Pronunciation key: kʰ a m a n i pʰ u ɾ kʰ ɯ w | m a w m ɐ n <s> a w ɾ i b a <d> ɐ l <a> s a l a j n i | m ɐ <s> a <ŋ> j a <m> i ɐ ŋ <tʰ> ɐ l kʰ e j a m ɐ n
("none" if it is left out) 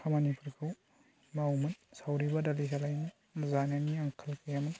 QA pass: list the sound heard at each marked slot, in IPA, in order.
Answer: s, d, i, z, n, n, kʰ

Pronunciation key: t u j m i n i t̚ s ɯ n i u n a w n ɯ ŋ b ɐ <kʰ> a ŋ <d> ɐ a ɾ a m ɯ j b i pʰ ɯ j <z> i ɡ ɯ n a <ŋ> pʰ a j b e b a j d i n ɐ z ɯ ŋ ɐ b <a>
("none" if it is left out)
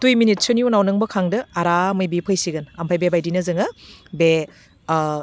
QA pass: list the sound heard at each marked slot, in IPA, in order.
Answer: kʰ, d, s, m, e

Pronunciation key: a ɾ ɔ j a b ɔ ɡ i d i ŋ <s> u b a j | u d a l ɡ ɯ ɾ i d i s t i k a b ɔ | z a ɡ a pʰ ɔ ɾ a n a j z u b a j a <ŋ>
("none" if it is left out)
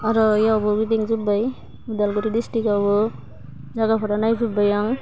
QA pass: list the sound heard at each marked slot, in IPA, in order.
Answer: z, ŋ

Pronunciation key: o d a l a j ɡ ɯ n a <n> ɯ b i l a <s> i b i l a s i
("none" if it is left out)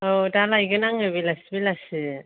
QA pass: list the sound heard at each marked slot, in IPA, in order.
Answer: ŋ, s

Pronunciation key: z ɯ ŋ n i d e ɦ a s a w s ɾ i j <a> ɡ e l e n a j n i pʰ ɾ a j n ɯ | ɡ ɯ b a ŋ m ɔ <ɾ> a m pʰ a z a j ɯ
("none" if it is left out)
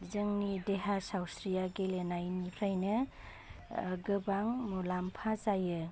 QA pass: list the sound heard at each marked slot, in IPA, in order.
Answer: a, l

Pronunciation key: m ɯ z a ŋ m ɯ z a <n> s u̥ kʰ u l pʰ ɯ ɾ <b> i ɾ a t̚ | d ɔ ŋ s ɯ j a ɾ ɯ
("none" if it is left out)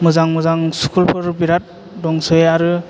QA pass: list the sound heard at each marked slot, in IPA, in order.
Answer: ŋ, b

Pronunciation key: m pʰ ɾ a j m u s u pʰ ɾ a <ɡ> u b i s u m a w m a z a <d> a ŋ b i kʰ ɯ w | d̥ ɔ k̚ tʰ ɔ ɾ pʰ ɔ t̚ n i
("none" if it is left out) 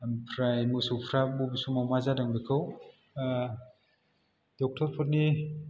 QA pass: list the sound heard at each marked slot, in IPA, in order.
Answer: b, d

